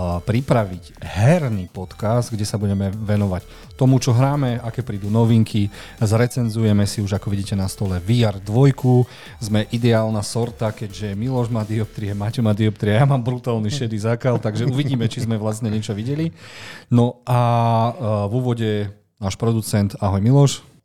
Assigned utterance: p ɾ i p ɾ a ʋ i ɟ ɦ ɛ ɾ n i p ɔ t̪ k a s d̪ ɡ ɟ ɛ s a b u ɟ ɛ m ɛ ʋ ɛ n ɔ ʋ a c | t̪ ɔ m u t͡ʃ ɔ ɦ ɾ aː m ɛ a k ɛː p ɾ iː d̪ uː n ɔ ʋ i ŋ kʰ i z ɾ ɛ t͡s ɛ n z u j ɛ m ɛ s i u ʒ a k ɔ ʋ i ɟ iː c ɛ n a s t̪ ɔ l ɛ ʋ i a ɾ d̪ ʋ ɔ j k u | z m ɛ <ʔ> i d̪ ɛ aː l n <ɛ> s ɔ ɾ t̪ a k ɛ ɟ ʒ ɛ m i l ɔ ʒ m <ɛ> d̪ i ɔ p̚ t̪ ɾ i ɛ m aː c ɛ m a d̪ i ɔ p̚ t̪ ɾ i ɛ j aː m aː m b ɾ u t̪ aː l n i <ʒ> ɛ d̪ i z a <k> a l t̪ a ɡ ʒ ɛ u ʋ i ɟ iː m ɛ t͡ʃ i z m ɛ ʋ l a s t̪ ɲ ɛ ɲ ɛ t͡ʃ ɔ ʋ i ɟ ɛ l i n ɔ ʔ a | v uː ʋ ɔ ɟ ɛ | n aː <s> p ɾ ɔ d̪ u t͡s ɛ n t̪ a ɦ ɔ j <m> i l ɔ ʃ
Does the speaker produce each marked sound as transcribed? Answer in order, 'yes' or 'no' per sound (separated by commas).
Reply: yes, no, no, no, yes, no, yes